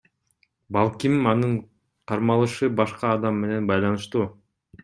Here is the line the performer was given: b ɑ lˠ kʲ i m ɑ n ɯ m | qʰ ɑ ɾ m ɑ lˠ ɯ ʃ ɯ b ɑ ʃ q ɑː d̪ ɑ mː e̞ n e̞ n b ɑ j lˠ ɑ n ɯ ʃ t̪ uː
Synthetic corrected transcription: b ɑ lˠ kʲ i m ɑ n ɯ ɴ | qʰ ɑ ɾ m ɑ lˠ ɯ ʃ ɯ b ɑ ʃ q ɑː d̪ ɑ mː e̞ n e̞ n b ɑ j lˠ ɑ n ɯ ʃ t̪ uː

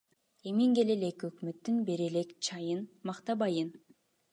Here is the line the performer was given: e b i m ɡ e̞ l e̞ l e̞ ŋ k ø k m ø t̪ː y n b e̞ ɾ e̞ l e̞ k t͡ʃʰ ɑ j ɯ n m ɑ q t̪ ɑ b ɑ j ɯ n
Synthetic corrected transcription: e m i ŋ ɡ e̞ l e̞ l e̞ k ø k m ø t̪ː y n b e̞ ɾ e̞ l e̞ k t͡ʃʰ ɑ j ɯ n m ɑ q t̪ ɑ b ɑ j ɯ n

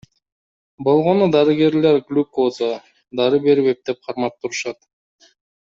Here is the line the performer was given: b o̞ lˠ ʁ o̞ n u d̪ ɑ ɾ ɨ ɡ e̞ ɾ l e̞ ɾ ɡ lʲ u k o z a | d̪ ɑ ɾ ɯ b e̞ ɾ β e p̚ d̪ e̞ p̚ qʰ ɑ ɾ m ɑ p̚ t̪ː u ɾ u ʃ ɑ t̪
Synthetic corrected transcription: b o̞ lˠ ʁ o̞ n u d̪ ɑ ɾ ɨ ɡ e̞ ɾ l e̞ ɾ ɡ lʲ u k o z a | d̪ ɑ ɾ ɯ b e̞ ɾ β e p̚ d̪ e̞ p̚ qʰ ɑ ɾ m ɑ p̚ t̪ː u ɾ u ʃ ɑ t̪

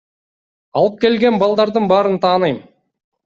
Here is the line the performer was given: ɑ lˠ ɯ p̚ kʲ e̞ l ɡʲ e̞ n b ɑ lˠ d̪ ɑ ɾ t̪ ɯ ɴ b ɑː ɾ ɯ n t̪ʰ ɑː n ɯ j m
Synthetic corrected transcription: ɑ lˠ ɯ p̚ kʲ e̞ l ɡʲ e̞ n b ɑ lˠ d̪ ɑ ɾ d̪ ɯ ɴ b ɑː ɾ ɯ n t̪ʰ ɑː n ɯ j m

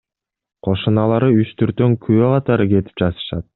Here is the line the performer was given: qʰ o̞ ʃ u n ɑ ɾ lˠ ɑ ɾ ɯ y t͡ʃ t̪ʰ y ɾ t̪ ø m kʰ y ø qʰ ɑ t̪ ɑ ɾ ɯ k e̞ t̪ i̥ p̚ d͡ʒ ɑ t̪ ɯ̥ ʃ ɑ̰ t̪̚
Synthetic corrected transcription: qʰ o̞ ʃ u n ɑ lˠ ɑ ɾ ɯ y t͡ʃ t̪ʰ y ɾ t̪ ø ŋ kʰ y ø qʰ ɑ t̪ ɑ ɾ ɯ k e̞ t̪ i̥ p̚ d͡ʒ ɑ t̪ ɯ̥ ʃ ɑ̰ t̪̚

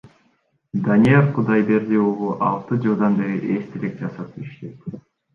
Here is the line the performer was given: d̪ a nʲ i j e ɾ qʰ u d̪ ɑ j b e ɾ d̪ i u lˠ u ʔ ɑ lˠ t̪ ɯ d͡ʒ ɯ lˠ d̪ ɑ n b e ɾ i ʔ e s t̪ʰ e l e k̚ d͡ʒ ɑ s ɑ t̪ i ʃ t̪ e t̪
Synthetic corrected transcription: d̪ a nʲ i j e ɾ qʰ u d̪ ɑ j b e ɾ d̪ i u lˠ u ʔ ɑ lˠ t̪ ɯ d͡ʒ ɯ lˠ d̪ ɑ n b e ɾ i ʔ e s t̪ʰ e l e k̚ d͡ʒ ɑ s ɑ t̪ i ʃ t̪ e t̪

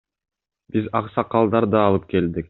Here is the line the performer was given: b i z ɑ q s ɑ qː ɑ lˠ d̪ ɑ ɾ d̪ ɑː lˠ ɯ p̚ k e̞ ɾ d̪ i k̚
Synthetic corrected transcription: b i z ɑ q s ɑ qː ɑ lˠ d̪ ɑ ɾ d̪ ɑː lˠ ɯ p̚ k e̞ l d̪ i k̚

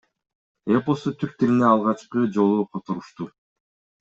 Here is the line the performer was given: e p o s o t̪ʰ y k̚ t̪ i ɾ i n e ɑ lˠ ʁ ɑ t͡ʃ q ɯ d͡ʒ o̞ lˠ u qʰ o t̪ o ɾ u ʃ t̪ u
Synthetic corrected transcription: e p o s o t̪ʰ y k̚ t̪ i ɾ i n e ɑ lˠ ʁ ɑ t͡ʃ q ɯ d͡ʒ o̞ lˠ u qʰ o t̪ o ɾ u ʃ t̪ u

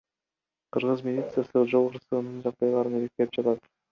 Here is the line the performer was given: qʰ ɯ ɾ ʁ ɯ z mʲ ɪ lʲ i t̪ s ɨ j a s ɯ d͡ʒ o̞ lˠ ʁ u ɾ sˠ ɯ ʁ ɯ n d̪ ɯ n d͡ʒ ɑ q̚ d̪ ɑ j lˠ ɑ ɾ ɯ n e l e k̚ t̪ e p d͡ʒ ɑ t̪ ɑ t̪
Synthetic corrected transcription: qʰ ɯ ɾ ʁ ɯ z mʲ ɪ lʲ i t̪ s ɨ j a s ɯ d͡ʒ o̞ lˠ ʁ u ɾ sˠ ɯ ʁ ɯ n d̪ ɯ n d͡ʒ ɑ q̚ d̪ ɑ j lˠ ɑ ɾ ɯ n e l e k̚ t̪ e p d͡ʒ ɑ t̪ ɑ t̪

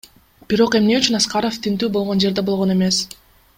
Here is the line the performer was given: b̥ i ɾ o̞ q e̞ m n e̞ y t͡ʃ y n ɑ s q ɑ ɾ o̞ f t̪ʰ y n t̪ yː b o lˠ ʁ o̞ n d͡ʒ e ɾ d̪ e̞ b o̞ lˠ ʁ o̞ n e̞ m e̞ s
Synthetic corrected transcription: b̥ i ɾ o̞ q e̞ m n e̞ y t͡ʃ y n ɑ s q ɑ ɾ o̞ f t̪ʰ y n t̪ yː b o lˠ ʁ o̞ n d͡ʒ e ɾ d̪ e̞ b o̞ lˠ ʁ o̞ n e̞ m e̞ s

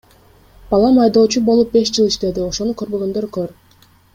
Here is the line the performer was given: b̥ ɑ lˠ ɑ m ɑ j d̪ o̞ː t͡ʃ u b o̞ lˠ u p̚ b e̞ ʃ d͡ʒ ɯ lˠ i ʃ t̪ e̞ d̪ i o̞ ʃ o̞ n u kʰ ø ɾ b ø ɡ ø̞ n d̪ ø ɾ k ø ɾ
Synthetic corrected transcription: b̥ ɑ lˠ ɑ m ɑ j d̪ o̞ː t͡ʃ u b o̞ lˠ u p̚ b e̞ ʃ d͡ʒ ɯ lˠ i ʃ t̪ e̞ d̪ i o̞ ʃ o̞ n u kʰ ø ɾ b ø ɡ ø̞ n d̪ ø ɾ k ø ɾ

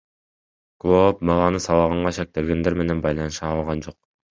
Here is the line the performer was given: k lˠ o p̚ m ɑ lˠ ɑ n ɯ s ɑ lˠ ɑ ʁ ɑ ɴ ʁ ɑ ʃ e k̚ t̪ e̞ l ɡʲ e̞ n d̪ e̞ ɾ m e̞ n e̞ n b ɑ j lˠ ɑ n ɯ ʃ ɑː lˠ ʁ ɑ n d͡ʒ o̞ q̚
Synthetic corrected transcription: k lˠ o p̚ m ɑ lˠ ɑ n ɯ s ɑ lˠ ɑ ʁ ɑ ɴ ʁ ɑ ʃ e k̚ t̪ e̞ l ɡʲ e̞ n d̪ e̞ ɾ m e̞ n e̞ n b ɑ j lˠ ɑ n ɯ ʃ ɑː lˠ ʁ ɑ n d͡ʒ o̞ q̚

